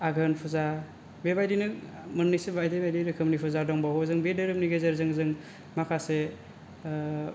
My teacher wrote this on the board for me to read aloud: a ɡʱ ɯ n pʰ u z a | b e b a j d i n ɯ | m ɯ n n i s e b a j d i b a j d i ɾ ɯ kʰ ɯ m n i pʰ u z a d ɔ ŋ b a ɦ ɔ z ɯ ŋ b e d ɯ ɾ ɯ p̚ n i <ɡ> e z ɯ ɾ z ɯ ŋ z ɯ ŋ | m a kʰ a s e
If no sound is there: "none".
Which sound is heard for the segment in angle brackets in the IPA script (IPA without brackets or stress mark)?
ɡ